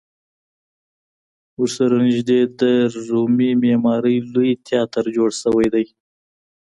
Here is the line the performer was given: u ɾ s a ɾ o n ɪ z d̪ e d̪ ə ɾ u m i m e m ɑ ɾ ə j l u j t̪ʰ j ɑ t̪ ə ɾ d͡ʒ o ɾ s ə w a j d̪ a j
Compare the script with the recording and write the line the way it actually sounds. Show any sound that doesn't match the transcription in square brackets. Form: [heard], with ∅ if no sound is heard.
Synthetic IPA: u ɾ s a ɾ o n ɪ [ʒ] d̪ e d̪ ə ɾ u m i m e m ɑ ɾ ə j l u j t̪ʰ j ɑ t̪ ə ɾ d͡ʒ o [ɽ] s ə w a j d̪ a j